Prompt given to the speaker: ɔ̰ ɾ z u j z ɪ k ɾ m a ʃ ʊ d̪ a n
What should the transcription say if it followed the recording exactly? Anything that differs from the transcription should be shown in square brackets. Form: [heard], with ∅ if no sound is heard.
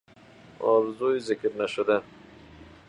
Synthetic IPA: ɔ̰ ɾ z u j z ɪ k ɾ [n] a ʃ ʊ d̪ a n